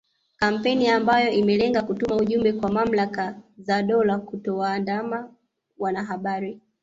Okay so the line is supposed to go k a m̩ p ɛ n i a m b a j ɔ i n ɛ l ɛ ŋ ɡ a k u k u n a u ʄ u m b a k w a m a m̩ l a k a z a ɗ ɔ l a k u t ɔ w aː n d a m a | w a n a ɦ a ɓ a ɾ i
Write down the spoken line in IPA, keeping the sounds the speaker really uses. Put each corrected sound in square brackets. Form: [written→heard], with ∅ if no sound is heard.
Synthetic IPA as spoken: k a m̩ p ɛ n i a m b a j ɔ i [n→m] ɛ l ɛ ŋ ɡ a k u [k→t] u [n→m] a u ʄ u m b [a→ɛ] k w a m a m̩ l a k a z a ɗ ɔ l a k u t ɔ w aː n d a m a | w a n a ɦ a ɓ a ɾ i